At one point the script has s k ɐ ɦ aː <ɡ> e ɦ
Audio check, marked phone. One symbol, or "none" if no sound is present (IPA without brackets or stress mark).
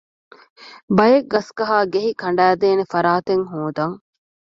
ɡ